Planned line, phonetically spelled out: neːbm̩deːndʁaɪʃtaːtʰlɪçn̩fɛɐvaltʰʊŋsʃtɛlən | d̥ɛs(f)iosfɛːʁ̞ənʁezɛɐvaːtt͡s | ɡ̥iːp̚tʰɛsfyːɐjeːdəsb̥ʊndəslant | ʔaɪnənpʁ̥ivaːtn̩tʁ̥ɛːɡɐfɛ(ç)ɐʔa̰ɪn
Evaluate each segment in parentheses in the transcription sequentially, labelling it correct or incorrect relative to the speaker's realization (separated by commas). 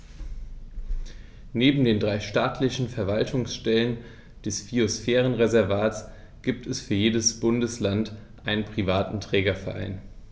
correct, incorrect